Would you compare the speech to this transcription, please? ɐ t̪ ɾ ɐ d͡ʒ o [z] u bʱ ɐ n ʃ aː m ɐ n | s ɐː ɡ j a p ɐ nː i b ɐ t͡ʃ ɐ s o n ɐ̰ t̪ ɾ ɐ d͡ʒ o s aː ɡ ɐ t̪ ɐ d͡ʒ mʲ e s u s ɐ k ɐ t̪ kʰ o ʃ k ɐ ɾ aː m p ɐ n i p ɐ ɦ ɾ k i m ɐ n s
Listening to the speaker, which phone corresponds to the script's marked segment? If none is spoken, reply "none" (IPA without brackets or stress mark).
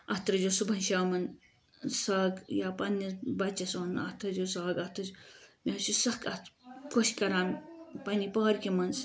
s